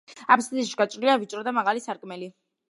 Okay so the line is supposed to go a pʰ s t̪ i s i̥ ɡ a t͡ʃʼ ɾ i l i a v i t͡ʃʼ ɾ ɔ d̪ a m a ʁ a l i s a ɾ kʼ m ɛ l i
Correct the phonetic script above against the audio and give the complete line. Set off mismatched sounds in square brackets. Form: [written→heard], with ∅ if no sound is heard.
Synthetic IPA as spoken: a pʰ s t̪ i [s→ʃ] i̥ ɡ a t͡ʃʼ ɾ i l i a v i t͡ʃʼ ɾ ɔ d̪ a m a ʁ a l i s a ɾ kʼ m ɛ l i

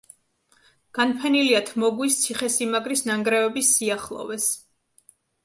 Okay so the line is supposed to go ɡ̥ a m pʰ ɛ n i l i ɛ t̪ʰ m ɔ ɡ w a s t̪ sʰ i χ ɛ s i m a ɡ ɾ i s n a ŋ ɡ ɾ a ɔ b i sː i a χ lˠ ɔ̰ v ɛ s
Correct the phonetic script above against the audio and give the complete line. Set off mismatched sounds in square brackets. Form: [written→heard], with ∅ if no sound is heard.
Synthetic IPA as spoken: ɡ̥ a [m→n] pʰ ɛ n i l i [ɛ→a] t̪ʰ m ɔ ɡ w [a→i] s t̪ sʰ i χ ɛ s i m a ɡ ɾ i s n a ŋ ɡ ɾ [a→ɛ] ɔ b i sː i a χ lˠ ɔ̰ v ɛ s

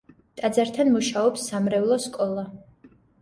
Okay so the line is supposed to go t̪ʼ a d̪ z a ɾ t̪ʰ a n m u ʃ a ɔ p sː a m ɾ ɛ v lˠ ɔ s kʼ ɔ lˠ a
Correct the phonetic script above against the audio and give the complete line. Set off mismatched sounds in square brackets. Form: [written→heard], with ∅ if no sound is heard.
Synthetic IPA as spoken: t̪ʼ a d̪ z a ɾ t̪ʰ a n m u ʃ a ɔ p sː a m ɾ ɛ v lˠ ɔ s kʼ ɔ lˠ a

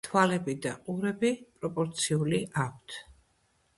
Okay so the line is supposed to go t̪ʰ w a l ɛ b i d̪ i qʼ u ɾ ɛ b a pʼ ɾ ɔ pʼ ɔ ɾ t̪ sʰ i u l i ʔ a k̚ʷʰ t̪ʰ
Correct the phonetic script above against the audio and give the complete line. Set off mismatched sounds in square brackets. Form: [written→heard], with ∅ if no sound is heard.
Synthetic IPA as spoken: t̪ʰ w a l ɛ b i d̪ [i→a] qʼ u ɾ ɛ b [a→i] pʼ ɾ ɔ pʼ ɔ ɾ t̪ sʰ i u l i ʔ a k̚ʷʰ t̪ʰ

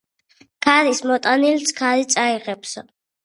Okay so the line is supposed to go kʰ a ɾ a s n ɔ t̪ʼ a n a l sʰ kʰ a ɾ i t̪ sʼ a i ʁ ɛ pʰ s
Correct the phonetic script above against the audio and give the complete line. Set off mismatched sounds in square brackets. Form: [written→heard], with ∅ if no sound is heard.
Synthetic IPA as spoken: kʰ a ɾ [a→i] s [n→m] ɔ t̪ʼ a n [a→i] l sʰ kʰ a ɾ i t̪ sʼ a i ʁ ɛ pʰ s

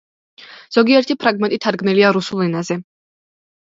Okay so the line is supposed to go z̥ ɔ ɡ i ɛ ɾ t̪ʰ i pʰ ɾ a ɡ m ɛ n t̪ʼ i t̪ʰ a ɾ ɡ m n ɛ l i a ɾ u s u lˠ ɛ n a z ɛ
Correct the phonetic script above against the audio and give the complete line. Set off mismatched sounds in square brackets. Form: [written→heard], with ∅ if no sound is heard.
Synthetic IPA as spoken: z̥ ɔ ɡ i ɛ ɾ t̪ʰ i pʰ ɾ a ɡ m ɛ n t̪ʼ i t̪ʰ a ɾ ɡ m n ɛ l i a ɾ u s u lˠ ɛ n a z ɛ

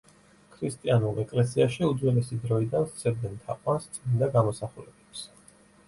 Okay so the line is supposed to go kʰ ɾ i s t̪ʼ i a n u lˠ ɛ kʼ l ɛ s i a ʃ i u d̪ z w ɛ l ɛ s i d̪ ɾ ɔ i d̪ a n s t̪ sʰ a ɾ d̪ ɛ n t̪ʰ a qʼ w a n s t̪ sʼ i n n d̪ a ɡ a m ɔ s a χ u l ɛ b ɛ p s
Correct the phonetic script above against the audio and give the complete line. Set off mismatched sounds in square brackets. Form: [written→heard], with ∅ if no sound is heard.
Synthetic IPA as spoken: kʰ ɾ i s t̪ʼ i a n u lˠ ɛ kʼ l ɛ s i a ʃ i u d̪ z w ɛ l ɛ s i d̪ ɾ ɔ i d̪ a n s t̪ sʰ [a→ɛ] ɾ d̪ ɛ n t̪ʰ a qʼ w a n s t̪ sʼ i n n d̪ a ɡ a m ɔ s a χ u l ɛ b ɛ p s

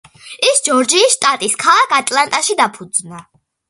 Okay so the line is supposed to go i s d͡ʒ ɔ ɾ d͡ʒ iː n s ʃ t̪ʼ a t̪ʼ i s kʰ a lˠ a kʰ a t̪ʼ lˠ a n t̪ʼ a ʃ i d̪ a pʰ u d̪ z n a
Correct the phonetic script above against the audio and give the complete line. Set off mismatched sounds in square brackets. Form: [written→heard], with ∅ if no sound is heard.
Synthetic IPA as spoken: i s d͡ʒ ɔ ɾ d͡ʒ iː [n→∅] s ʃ t̪ʼ a t̪ʼ i s kʰ a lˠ a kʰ a t̪ʼ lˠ a n t̪ʼ a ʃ i d̪ a pʰ u d̪ z n a

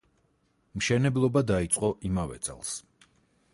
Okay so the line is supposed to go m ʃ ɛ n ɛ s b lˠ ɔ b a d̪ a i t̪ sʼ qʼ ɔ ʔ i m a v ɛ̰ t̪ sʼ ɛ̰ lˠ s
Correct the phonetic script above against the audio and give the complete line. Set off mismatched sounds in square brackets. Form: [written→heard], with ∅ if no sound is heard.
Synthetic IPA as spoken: m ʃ ɛ n ɛ [s→∅] b lˠ ɔ b a d̪ a i t̪ sʼ qʼ ɔ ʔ i m a v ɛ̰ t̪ sʼ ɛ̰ lˠ s

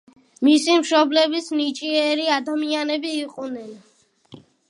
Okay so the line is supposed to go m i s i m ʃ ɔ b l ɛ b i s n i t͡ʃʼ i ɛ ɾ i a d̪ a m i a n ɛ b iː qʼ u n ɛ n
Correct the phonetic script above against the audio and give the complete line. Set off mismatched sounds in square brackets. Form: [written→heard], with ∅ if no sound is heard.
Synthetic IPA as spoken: m i s i m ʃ ɔ b l ɛ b i s n i t͡ʃʼ i ɛ ɾ i a d̪ a m i a n ɛ b iː qʼ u n ɛ n

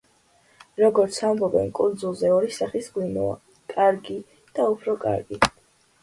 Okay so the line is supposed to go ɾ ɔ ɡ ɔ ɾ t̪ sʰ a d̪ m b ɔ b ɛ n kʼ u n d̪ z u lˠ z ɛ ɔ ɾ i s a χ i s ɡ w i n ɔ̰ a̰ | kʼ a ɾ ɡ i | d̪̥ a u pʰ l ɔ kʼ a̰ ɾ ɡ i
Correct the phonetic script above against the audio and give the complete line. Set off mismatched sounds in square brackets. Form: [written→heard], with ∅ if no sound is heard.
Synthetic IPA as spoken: ɾ ɔ ɡ ɔ ɾ t̪ sʰ a [d̪→∅] m b ɔ b ɛ n kʼ u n d̪ z u lˠ z ɛ ɔ ɾ i s a χ i s ɡ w i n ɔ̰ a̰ | kʼ a ɾ ɡ i | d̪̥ a u pʰ [l→ɾ] ɔ kʼ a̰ ɾ ɡ i

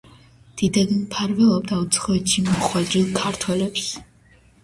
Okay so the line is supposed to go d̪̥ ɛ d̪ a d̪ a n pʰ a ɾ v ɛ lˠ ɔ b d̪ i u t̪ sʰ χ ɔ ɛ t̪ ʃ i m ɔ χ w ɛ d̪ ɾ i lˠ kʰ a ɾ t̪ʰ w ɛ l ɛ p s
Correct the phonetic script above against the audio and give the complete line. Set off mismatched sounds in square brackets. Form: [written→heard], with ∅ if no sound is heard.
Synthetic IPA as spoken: d̪̥ [ɛ→i] d̪ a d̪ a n pʰ a ɾ v ɛ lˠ ɔ b d̪ [i→a] u t̪ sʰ χ ɔ ɛ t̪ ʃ i m ɔ χ w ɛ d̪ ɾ i lˠ kʰ a ɾ t̪ʰ w ɛ l ɛ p s

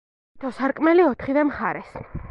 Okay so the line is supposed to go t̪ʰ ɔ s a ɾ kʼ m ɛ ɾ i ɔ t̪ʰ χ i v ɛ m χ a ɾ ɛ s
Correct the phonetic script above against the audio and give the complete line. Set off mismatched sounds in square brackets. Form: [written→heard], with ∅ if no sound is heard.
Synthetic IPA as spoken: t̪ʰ ɔ s a ɾ kʼ m ɛ [ɾ→l] i ɔ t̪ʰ χ i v ɛ m χ a ɾ ɛ s

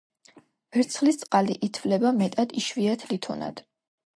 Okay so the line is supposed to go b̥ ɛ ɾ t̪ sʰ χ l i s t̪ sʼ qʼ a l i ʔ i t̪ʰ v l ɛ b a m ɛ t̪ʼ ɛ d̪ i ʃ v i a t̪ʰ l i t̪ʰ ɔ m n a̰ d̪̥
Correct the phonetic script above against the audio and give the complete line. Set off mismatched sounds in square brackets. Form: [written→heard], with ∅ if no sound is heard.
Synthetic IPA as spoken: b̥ ɛ ɾ t̪ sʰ χ l i s t̪ sʼ qʼ a l i ʔ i t̪ʰ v l ɛ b a m ɛ t̪ʼ [ɛ→a] d̪ i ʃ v i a t̪ʰ l i t̪ʰ ɔ [m→∅] n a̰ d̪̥

